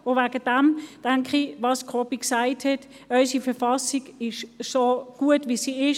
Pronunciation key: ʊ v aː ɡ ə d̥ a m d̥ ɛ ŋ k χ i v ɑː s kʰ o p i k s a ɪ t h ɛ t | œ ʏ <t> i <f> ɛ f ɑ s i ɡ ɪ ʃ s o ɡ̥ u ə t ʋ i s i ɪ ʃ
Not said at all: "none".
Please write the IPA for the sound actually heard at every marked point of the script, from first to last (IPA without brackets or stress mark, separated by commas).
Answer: s, f